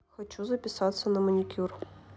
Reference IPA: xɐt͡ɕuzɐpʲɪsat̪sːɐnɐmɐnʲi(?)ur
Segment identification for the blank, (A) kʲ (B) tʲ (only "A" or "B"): A